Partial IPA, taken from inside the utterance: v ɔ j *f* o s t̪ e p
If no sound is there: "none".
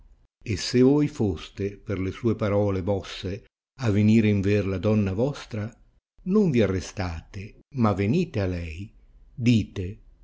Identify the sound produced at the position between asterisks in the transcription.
f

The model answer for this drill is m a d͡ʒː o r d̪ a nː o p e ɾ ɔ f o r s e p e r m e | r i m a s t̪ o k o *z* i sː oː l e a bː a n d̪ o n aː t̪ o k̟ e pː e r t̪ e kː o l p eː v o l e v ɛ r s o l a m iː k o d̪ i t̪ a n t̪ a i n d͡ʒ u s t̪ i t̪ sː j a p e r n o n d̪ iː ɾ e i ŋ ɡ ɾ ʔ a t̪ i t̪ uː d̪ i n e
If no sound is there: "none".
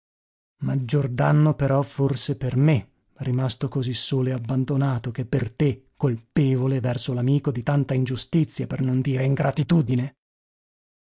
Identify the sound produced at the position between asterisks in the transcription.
z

